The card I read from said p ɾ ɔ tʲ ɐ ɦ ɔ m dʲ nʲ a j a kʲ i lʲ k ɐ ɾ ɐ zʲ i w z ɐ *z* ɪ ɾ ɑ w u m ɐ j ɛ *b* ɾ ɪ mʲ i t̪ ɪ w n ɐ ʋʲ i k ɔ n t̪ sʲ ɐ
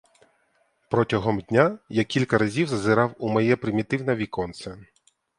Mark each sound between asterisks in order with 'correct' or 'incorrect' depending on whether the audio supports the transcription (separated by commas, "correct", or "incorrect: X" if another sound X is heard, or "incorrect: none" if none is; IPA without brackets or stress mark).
correct, incorrect: p